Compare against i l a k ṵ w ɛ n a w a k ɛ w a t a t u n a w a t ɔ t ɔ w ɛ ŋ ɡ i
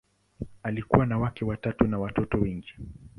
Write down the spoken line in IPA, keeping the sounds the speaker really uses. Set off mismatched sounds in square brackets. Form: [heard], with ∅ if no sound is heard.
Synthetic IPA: [a] l [i] k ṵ w [a] n a w a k ɛ w a t a t u n a w a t ɔ t ɔ w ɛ ŋ ɡ i